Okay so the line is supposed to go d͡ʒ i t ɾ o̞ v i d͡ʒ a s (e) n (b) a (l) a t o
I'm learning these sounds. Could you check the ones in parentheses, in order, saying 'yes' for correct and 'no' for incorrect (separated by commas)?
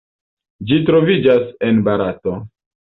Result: yes, yes, no